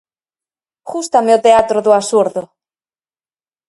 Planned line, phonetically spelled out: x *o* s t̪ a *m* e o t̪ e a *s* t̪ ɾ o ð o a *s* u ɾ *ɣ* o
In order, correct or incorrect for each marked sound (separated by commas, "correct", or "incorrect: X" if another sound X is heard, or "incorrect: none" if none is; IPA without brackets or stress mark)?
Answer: incorrect: u, correct, incorrect: none, correct, incorrect: ð